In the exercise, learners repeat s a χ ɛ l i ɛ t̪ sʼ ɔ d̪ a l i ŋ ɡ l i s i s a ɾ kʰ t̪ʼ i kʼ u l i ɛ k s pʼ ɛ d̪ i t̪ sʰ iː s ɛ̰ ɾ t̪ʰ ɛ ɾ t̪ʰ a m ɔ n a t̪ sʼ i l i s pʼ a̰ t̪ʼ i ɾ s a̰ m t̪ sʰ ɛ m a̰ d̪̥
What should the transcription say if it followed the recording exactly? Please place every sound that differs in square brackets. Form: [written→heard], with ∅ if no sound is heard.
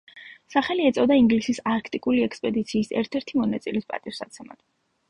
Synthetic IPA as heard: s a χ ɛ l i ɛ t̪ sʼ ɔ d̪ a [l→∅] i ŋ ɡ l i s i s a ɾ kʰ t̪ʼ i kʼ u l i ɛ k s pʼ ɛ d̪ i t̪ sʰ iː s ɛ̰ ɾ t̪ʰ ɛ ɾ t̪ʰ [a→i] m ɔ n a t̪ sʼ i l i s pʼ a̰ t̪ʼ i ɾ s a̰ [m→∅] t̪ sʰ ɛ m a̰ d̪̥